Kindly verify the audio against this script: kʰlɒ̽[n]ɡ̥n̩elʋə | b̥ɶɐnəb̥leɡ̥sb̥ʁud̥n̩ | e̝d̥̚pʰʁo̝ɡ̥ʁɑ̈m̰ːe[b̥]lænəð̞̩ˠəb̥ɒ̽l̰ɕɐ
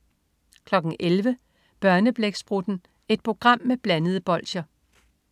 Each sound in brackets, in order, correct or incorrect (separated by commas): incorrect, correct